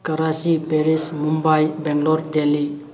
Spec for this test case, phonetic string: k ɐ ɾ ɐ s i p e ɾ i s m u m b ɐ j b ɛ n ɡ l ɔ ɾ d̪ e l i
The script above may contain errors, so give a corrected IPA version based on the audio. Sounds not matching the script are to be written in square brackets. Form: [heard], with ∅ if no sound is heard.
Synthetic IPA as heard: k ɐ ɾ [a] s i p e ɾ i s m u m b [a] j b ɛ [ŋ] ɡ l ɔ ɾ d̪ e l i